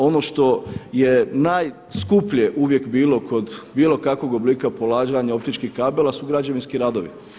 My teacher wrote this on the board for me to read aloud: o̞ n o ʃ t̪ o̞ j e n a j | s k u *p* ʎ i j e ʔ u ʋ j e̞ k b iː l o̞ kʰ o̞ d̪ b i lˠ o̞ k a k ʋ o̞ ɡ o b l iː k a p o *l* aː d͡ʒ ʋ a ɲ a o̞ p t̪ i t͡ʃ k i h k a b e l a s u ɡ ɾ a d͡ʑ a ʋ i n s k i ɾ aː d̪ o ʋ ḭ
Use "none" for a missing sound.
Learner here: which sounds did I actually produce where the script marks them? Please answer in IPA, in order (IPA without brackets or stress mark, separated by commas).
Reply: p, l